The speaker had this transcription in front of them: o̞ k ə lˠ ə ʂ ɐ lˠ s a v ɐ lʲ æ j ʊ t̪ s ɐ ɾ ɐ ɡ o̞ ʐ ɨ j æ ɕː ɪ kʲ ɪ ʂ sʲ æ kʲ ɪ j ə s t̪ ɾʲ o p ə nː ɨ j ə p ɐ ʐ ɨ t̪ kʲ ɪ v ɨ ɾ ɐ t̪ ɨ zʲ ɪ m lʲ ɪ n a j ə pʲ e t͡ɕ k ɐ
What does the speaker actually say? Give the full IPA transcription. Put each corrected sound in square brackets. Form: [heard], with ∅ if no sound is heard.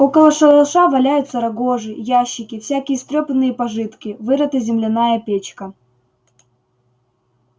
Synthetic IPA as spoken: o̞ k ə lˠ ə ʂ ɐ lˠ [ʂ] a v ɐ lʲ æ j ʊ t̪ s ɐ ɾ ɐ ɡ o̞ ʐ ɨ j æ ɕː ɪ kʲ ɪ [f] sʲ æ kʲ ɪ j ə s t̪ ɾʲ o p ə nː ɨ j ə p ɐ ʐ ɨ t̪ kʲ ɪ v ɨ ɾ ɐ t̪ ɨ zʲ ɪ m lʲ ɪ n a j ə pʲ e t͡ɕ k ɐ

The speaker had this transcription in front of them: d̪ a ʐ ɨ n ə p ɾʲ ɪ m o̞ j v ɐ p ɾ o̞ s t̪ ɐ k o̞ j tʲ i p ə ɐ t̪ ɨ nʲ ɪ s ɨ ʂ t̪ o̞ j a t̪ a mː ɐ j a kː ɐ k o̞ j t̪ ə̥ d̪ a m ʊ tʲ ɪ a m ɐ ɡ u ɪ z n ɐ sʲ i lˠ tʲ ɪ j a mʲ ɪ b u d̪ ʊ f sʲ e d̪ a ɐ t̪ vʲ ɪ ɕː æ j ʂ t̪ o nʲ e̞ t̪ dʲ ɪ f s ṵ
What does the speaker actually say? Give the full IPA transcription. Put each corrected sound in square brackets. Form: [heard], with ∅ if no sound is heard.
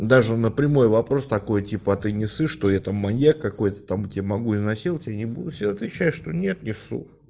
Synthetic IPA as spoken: d̪ a ʐ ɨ n ə p ɾʲ ɪ m o̞ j v ɐ p ɾ o̞ s t̪ ɐ k o̞ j tʲ i p ə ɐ t̪ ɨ nʲ ɪ s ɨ ʂ t̪ o̞ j a t̪ a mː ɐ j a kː ɐ k o̞ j t̪ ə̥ [t̪] a m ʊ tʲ ɪ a m ɐ ɡ u ɪ z n ɐ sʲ i lˠ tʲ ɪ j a [nʲ] ɪ b u d̪ ʊ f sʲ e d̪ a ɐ t̪ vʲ ɪ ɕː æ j ʂ t̪ o nʲ e̞ t̪ [nʲ] ɪ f s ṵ

